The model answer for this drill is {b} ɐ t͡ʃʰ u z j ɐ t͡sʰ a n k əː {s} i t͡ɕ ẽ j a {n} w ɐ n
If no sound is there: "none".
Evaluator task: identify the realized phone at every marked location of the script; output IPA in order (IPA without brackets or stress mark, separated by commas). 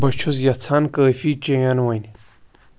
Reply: b, f, n